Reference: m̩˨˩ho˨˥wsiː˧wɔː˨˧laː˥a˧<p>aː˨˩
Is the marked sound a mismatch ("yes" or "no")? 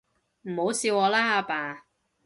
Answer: no